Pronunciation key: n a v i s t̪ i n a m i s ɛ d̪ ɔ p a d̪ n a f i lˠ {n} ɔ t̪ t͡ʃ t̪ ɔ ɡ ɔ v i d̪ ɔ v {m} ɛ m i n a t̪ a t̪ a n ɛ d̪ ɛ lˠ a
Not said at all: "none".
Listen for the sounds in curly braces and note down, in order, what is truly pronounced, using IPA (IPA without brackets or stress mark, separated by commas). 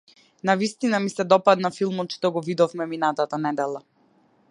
m, m